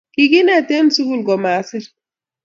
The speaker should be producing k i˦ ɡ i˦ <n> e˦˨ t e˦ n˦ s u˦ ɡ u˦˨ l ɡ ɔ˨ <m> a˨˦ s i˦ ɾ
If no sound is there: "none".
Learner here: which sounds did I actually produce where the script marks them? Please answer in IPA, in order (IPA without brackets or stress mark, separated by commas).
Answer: n, m